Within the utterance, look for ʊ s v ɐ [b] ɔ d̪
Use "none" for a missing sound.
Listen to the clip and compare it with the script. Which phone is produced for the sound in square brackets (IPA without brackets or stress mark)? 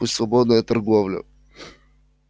b